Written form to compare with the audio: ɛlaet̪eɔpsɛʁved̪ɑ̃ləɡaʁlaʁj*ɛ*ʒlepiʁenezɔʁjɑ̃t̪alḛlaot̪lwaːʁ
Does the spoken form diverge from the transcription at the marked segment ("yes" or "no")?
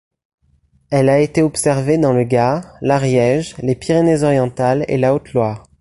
no